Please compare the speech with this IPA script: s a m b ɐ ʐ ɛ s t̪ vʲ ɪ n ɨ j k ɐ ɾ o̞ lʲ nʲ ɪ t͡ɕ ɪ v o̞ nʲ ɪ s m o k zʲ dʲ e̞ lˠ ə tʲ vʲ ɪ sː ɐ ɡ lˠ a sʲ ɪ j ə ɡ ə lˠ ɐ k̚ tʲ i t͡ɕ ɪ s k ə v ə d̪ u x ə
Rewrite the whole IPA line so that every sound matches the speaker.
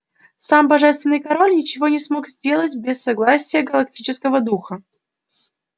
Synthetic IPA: s a m b ɐ ʐ ɛ s t̪ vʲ ɪ n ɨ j k ɐ ɾ o̞ lʲ nʲ ɪ t͡ɕ ɪ v o̞ nʲ ɪ s m o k zʲ dʲ e̞ lˠ ə tʲ bʲ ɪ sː ɐ ɡ lˠ a sʲ ɪ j ə ɡ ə lˠ ɐ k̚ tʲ i t͡ɕ ɪ s k ə v ə d̪ u x ə